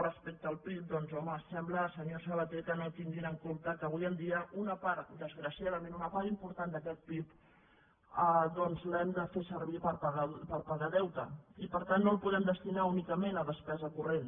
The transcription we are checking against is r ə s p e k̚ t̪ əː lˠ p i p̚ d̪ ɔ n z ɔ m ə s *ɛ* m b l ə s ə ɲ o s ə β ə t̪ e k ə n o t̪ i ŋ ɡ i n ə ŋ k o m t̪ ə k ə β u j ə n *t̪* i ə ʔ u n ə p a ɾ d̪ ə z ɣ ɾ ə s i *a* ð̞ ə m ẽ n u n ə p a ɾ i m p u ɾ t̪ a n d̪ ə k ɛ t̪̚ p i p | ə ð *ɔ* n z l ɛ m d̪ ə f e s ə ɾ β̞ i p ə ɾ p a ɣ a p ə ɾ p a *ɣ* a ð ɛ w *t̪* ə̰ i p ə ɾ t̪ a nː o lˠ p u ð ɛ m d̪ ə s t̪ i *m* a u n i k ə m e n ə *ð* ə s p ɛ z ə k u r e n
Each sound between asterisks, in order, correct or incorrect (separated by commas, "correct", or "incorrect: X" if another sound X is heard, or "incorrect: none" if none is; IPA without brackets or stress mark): correct, incorrect: d̪, correct, correct, correct, correct, incorrect: n, correct